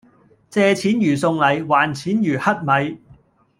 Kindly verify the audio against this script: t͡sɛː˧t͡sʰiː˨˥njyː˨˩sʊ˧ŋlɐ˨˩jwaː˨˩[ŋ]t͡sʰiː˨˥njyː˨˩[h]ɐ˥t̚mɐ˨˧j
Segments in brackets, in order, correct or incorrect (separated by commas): incorrect, correct